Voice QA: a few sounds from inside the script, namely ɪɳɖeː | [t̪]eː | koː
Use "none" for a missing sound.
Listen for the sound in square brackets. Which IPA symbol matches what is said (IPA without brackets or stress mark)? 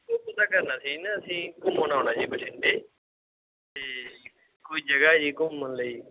t̪